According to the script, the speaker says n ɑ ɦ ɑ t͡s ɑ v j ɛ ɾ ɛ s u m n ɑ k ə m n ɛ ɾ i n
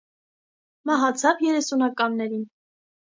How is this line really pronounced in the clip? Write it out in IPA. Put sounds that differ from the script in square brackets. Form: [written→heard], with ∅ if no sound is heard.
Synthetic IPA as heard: [n→m] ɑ ɦ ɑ [t͡s→t͡sʰ] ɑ v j ɛ ɾ ɛ s u [m→∅] n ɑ k [ə→ɑ] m n ɛ ɾ i n